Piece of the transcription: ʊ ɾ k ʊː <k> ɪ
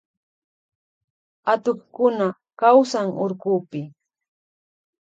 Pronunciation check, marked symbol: incorrect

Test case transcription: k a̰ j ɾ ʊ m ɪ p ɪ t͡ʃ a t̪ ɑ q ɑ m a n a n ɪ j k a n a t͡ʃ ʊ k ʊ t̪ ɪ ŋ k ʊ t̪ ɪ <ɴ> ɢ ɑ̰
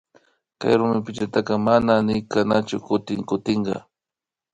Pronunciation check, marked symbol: correct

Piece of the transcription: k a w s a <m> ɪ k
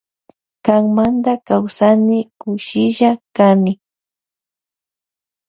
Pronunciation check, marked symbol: incorrect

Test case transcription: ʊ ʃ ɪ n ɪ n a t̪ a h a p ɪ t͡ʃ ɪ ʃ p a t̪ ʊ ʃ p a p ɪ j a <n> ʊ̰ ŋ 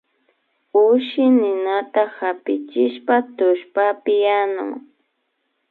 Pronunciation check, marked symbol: correct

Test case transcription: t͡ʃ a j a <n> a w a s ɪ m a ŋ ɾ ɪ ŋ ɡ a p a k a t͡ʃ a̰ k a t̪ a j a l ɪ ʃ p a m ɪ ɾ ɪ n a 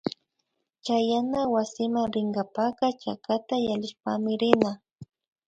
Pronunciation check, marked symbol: correct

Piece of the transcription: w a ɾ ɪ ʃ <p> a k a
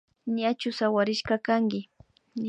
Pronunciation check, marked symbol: incorrect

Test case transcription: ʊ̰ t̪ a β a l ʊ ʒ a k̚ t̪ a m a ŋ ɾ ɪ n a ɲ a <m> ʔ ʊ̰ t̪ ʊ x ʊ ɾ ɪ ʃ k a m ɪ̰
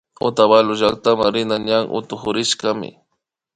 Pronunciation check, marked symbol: incorrect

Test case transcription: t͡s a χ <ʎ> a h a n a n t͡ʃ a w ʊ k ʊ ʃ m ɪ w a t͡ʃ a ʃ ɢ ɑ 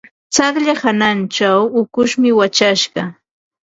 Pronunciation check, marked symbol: correct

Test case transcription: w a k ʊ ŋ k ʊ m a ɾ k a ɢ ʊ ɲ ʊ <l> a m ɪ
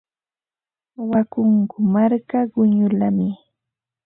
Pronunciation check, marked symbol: correct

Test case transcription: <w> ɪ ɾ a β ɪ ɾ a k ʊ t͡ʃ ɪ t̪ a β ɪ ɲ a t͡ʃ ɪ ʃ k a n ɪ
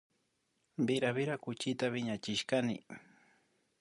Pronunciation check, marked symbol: incorrect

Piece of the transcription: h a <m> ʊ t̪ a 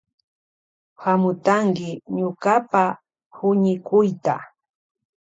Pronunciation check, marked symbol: correct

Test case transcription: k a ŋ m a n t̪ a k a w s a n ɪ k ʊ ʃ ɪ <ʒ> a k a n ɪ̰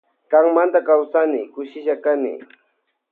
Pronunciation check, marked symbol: incorrect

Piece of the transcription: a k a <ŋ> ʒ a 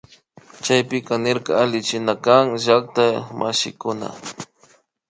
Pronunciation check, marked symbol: correct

